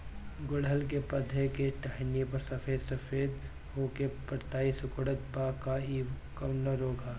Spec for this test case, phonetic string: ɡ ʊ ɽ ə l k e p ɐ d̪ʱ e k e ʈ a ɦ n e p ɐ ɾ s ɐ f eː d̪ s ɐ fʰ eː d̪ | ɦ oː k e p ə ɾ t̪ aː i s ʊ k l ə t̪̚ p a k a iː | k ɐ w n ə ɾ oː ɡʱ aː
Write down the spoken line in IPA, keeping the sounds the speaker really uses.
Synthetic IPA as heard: ɡ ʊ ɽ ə l k e p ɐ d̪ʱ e k e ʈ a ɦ n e p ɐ ɾ s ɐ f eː d̪ s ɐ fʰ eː d̪ | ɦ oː k e p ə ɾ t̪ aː i s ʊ k ɽ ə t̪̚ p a k a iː | k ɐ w n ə ɾ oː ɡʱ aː